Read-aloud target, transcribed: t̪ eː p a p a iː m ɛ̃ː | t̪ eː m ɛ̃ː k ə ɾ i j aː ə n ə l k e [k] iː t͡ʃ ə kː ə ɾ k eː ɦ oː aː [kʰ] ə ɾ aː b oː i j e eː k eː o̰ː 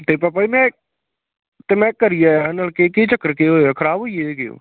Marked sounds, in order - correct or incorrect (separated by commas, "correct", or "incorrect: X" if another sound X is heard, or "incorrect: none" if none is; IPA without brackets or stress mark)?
correct, correct